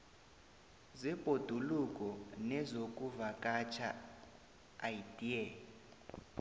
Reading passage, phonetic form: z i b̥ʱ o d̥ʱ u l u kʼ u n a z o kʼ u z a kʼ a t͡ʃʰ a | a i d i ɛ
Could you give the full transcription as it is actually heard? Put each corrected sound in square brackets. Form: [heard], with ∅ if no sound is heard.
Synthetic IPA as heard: z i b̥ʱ o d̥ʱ u l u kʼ [ɔ] n [ɛ] z o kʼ u [v] a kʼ a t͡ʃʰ a | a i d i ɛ